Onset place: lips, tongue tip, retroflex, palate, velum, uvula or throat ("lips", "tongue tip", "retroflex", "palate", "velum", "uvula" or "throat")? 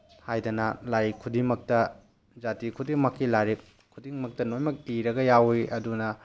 throat